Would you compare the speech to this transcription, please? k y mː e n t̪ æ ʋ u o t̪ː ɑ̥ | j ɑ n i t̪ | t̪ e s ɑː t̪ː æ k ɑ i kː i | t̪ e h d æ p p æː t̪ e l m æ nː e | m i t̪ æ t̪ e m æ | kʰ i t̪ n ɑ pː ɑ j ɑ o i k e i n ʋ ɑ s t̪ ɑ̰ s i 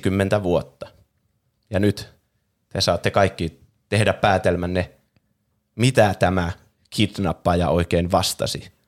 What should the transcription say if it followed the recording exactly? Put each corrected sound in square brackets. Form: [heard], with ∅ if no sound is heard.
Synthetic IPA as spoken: k y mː e n t̪ æ ʋ u o t̪ː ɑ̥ | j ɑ n [y] t̪ | t̪ e s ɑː t̪ː [e] k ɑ i kː i | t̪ e h d æ p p æː t̪ e l m æ nː e | m i t̪ æ t̪ [æ] m æ | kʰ i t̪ n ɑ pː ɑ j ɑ o i k e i n ʋ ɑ s t̪ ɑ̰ s i